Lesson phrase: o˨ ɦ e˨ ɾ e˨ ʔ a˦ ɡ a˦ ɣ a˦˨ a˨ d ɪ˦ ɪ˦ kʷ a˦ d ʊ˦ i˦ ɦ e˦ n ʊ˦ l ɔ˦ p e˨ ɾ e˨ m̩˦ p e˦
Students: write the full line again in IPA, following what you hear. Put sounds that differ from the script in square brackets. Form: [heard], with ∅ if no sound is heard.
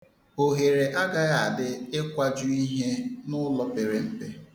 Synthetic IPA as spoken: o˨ ɦ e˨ ɾ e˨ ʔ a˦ ɡ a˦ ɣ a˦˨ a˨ d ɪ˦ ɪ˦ kʷ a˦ [d͡ʒ] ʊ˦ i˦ ɦ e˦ n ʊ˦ l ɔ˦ p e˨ ɾ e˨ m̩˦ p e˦